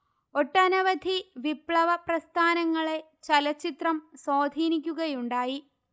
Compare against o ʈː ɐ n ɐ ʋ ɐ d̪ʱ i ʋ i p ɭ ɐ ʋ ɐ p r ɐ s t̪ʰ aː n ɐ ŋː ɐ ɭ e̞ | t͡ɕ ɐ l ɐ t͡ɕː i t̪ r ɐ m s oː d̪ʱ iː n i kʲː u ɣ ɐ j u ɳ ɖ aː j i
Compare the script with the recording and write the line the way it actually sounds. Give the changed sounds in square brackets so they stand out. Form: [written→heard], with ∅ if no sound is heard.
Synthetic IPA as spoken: o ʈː ɐ n ɐ ʋ ɐ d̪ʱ i ʋ i p ɭ ɐ ʋ ɐ p r ɐ s t̪ʰ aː n ɐ ŋː ɐ ɭ e̞ | t͡ɕ ɐ l ɐ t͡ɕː i t̪ r ɐ m s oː d̪ʱ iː n i kʲː u ɣ ɐ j u ɳ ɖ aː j i